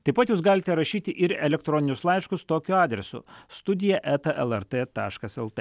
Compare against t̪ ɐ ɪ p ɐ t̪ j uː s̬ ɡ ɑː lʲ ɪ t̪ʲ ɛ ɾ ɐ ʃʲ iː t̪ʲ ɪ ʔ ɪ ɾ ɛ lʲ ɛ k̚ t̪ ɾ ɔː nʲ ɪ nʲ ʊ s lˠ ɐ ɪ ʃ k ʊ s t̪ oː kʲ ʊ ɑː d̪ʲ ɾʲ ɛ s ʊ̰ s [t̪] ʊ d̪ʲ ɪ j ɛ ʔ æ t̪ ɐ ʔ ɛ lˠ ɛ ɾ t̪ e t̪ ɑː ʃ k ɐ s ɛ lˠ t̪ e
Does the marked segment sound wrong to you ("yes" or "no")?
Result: no